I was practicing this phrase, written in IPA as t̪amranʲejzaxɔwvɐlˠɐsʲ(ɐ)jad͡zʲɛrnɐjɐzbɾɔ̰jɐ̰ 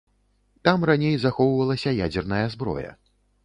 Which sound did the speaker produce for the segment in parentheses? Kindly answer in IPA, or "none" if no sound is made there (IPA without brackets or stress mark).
ɐ